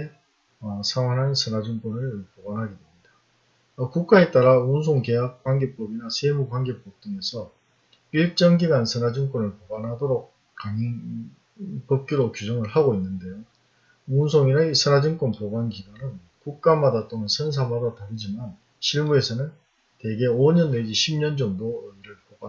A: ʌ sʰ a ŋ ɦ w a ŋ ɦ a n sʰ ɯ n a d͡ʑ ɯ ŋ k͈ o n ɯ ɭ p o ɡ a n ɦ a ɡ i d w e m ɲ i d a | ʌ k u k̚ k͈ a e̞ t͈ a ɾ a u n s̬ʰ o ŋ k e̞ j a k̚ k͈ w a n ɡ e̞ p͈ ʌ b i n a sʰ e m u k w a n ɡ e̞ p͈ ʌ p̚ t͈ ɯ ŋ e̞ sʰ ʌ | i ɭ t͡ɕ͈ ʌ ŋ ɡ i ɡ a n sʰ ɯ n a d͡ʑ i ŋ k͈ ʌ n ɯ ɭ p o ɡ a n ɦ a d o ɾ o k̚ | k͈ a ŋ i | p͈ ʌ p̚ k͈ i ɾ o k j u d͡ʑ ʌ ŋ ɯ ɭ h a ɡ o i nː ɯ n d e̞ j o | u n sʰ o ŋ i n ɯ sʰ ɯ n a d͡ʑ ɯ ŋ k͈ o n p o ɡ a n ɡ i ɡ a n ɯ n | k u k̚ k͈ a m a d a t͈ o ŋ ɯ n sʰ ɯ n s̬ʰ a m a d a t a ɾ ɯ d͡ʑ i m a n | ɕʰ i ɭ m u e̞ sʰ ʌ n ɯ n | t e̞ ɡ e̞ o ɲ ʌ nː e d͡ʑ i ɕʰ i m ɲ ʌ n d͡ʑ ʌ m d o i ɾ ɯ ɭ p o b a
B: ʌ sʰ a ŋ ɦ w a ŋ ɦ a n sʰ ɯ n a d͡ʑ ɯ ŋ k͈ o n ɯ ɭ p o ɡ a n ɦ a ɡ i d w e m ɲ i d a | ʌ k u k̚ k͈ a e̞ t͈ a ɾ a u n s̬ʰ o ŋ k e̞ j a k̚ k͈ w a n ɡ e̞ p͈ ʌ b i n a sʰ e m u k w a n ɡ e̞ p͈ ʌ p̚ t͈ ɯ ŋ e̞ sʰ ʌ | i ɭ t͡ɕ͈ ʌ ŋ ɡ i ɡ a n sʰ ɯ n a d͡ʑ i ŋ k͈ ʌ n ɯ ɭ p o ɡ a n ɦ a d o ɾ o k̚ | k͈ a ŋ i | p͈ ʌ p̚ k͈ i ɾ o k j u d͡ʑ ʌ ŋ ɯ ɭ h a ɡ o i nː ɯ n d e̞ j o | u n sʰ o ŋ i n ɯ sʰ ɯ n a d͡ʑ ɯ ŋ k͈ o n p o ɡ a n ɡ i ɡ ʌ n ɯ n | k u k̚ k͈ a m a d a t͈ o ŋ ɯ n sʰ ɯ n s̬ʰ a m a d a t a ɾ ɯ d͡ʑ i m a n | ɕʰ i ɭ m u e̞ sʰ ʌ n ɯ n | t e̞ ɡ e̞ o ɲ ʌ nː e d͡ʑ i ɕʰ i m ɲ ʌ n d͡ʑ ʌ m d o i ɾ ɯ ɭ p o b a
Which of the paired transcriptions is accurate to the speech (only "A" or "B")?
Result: A